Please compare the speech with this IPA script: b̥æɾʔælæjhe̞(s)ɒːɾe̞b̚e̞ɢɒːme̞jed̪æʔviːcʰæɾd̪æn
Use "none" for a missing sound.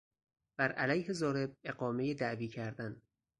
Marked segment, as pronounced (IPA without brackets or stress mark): z